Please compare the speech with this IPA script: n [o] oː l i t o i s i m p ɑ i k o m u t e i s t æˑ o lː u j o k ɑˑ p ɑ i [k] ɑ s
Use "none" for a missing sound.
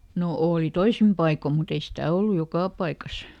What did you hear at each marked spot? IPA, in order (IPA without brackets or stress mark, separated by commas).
o, k